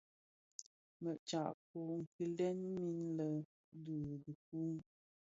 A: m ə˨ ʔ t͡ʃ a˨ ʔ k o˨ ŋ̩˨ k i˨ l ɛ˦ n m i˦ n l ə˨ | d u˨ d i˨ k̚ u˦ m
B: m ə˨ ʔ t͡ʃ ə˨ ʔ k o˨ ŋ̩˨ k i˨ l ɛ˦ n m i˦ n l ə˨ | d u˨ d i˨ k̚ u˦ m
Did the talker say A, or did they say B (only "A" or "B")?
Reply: A